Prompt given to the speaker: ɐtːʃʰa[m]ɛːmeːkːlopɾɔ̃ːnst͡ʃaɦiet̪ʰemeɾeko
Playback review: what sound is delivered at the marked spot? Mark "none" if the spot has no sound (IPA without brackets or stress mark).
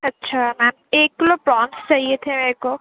m